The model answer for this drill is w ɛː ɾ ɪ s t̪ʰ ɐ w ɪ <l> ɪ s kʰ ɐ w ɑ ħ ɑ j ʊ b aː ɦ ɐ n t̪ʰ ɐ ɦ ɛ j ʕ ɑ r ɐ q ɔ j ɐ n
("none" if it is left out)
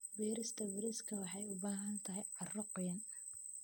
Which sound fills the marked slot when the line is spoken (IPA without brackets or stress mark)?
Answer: ɾ